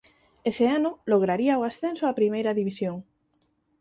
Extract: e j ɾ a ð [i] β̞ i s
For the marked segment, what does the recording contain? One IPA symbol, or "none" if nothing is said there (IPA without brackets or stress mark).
i